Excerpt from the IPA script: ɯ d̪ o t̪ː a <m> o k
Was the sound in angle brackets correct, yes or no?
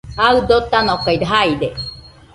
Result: no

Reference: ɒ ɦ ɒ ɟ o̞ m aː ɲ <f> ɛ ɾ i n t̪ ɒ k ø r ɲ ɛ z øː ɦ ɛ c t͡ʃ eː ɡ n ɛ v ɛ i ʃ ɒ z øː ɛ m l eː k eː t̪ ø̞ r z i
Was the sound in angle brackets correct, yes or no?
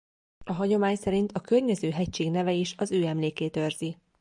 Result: no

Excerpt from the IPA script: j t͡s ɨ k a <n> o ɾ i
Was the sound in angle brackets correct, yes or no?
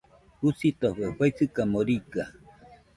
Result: no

